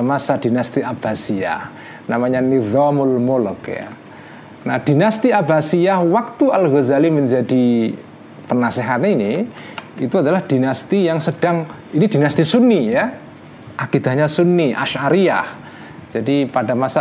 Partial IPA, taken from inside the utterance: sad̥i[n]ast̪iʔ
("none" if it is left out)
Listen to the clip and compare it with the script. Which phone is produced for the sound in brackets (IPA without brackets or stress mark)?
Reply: n